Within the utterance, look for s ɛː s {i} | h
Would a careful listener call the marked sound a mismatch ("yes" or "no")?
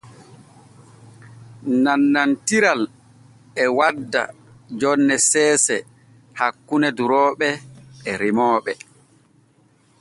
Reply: yes